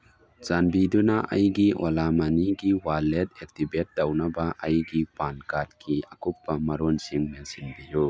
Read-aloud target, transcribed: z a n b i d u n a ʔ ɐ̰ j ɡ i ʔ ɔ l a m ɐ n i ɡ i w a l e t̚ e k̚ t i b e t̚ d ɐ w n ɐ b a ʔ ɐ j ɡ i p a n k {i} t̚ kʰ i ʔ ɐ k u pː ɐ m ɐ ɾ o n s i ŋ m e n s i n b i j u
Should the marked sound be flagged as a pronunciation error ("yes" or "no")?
yes